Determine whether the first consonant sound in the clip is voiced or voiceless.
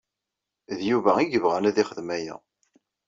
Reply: voiced